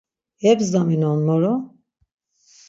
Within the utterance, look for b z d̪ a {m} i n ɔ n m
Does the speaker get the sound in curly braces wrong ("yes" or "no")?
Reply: no